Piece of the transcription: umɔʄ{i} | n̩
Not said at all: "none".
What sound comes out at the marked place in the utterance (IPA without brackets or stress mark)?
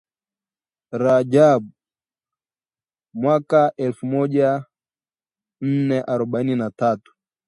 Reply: a